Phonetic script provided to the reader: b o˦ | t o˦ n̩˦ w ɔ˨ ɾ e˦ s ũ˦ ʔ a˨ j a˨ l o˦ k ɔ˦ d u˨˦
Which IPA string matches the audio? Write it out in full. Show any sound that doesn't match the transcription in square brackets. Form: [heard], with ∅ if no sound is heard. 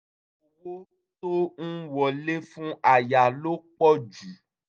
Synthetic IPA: [w] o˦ | t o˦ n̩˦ w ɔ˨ [l] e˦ [f] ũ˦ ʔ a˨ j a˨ l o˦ [k͡p] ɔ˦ [d͡ʒ] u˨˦